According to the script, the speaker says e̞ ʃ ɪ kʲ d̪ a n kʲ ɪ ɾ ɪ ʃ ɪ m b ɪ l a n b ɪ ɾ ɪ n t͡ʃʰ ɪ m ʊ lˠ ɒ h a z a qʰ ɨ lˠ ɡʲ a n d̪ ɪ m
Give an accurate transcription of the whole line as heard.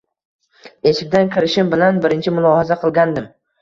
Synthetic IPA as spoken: e̞ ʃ ɪ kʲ d̪ a n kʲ ɪ ɾ ɪ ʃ ɪ m b ɪ l a n b ɪ ɾ ɪ n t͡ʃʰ ɪ m ʊ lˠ ɒ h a z a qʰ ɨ lˠ ɡʲ a n d̪ ɪ m

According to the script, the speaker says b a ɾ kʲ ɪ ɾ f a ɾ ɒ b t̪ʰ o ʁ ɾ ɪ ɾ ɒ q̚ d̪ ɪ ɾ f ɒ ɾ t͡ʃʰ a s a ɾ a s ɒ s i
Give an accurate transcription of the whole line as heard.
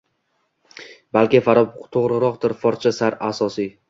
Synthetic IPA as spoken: b a l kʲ ɪ f a ɾ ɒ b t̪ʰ o ʁ ɾ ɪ ɾ ɒ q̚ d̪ ɪ ɾ f ɒ ɾ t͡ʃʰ a s a ɾ a s ɒ s i

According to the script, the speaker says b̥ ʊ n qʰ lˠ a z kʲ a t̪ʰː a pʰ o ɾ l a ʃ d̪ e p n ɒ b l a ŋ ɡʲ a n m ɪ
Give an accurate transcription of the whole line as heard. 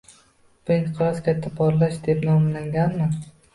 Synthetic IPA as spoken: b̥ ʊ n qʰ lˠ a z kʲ a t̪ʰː a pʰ ɒ ɾ l a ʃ d̪ e p n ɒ m l a ŋ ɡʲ a n m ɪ

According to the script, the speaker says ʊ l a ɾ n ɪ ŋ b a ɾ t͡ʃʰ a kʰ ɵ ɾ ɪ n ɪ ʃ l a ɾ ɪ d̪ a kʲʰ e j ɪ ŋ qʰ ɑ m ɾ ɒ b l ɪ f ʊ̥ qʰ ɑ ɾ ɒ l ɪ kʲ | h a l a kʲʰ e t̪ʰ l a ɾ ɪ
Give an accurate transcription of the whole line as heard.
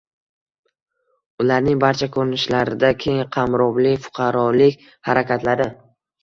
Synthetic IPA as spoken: ʊ l a ɾ n ɪ ŋ b a ɾ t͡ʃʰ a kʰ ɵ ɾ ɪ n ɪ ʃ l a ɾ ɪ d̪ a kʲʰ e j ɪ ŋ qʰ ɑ m ɾ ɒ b l ɪ f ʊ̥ qʰ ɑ ɾ ɒ l ɪ kʲ | h a ɾ a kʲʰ a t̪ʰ l a ɾ ɪ

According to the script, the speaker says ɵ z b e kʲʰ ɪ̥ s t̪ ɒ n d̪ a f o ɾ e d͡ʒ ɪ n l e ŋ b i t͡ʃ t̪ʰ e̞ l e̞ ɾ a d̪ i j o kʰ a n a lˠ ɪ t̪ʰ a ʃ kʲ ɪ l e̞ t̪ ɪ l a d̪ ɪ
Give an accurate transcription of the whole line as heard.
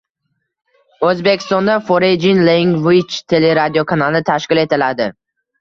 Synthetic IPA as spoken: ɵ z b e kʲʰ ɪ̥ s t̪ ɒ n d̪ a f o ɾ e d͡ʒ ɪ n l e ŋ v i t͡ʃ t̪ʰ e̞ l e̞ ɾ a d̪ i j o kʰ a n a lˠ ɪ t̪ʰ a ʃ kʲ ɪ l e̞ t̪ ɪ l a d̪ ɪ

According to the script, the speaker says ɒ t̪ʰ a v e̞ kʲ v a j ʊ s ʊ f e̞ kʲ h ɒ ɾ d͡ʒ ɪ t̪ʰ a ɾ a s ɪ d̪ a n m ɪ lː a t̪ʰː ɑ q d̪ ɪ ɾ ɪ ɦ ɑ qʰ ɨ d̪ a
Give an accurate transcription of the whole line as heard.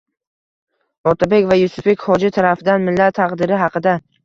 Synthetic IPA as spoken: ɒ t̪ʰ a b e̞ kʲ v a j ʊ s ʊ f e̞ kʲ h ɒ d͡ʒ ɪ t̪ʰ a ɾ a f ɪ d̪ a n m ɪ lː a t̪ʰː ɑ q d̪ ɪ ɾ ɪ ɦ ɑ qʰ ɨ d̪ a

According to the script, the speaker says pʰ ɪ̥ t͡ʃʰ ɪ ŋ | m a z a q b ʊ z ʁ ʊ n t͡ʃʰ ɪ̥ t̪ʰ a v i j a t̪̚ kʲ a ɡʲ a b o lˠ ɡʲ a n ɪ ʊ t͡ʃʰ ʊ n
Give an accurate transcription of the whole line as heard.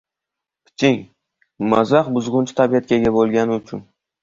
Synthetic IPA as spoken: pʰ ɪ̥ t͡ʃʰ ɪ ŋ | m a z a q b ʊ z ʁ ʊ n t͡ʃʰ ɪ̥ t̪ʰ a b i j a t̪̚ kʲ a ɡʲ a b o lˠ ɡʲ a n ɪ ʊ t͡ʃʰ ʊ n

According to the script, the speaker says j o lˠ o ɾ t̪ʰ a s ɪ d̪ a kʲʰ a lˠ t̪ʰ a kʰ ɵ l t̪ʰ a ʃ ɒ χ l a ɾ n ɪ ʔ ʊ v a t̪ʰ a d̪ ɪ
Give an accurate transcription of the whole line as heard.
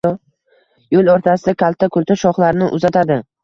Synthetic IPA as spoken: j o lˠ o ɾ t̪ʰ a s ɪ d̪ a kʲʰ a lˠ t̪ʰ a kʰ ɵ l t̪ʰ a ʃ ɒ χ l a ɾ n ɪ ʔ ʊ z a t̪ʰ a d̪ ɪ

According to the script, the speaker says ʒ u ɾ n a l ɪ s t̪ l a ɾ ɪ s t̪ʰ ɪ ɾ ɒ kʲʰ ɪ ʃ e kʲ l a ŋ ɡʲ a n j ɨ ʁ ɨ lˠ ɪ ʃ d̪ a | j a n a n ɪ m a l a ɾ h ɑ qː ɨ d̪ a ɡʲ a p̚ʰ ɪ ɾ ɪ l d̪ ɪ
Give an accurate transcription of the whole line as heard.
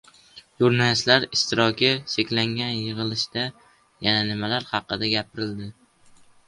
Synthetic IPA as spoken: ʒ u ɾ n a l ɪ s t̪ l a ɾ ɪ s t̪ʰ ɪ ɾ ɒ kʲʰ ɪ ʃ e kʲ l a ŋ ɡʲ a n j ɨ ʁ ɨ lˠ ɪ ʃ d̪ a | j a n a n ɪ m a l a ɾ h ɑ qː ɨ d̪ a ɡʲ a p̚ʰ ɪ ɾ ɪ l d̪ ɪ

